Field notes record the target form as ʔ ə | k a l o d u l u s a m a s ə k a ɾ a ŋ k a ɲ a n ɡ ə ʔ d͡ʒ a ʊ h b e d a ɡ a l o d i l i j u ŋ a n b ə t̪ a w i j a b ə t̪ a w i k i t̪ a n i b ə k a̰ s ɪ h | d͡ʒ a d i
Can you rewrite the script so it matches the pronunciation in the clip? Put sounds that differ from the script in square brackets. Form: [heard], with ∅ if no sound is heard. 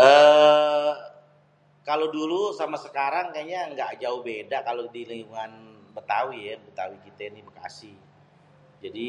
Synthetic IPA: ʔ ə | k a l o d u l u s a m a s ə k a ɾ a ŋ k a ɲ a [ŋ] ɡ [a] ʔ d͡ʒ a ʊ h b e d a [k] a l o d i l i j u ŋ a n b ə t̪ a w i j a b ə t̪ a w i k i t̪ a n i b ə k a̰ s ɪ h | d͡ʒ a d i